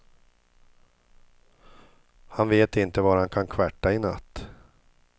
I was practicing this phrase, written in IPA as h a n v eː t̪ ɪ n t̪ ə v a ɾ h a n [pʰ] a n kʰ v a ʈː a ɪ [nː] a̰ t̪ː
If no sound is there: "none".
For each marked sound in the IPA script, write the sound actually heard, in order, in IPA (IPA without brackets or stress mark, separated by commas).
kʰ, n